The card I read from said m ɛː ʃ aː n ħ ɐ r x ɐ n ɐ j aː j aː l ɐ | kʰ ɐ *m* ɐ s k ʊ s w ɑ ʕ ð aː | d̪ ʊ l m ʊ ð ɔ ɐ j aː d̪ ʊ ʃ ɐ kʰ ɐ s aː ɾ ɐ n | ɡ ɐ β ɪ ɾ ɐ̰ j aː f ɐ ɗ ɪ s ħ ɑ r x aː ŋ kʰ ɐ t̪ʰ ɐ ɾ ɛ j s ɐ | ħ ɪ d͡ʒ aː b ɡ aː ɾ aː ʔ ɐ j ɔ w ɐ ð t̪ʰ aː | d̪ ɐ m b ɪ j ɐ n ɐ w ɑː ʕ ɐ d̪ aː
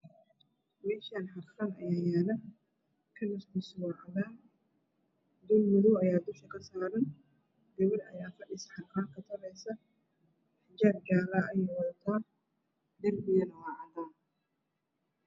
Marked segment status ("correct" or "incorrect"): incorrect